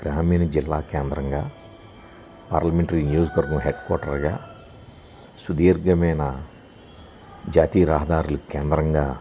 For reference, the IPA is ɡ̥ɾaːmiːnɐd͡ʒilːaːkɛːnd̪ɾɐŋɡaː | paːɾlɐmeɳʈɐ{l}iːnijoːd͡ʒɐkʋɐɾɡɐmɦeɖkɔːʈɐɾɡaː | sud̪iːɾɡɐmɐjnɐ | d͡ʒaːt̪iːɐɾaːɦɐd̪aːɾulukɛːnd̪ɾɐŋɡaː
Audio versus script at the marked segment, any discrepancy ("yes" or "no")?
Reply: yes